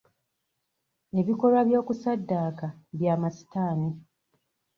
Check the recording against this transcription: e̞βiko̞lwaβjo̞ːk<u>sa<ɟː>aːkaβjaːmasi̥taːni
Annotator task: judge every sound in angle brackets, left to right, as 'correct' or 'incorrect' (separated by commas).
correct, incorrect